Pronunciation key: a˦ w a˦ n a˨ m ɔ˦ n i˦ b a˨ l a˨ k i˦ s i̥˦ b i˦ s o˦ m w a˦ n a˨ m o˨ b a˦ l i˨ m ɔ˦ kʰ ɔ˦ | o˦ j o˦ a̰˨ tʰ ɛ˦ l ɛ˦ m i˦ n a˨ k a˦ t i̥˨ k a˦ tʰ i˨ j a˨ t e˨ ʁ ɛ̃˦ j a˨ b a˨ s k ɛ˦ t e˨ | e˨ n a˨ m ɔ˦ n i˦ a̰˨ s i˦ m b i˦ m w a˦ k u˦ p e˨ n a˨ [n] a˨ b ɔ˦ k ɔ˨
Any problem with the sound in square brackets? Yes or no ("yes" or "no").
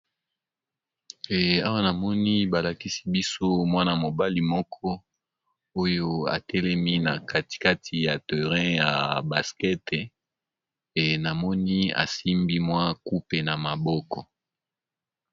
yes